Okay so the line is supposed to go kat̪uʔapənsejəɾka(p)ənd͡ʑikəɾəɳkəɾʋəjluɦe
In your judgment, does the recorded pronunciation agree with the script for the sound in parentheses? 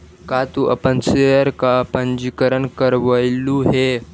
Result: yes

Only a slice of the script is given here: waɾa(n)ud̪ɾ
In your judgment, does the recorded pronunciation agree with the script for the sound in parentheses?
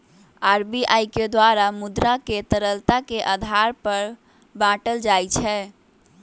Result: no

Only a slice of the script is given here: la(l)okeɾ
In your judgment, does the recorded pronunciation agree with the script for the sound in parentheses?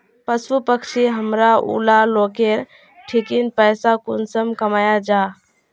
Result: yes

